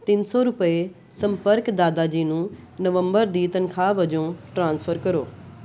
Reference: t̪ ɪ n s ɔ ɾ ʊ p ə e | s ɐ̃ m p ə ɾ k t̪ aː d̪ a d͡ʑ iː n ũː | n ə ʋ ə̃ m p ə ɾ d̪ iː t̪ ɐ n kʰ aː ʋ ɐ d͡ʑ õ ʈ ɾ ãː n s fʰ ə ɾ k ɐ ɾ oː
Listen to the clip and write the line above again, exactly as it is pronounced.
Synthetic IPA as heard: t̪ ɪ n s ɔ ɾ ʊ p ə e | s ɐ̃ m p ə ɾ k d̪ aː d̪ a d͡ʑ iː n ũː | n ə ʋ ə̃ m b ə ɾ d̪ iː t̪ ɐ n kʰ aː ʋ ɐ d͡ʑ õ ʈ ɾ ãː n s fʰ ə ɾ k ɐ ɾ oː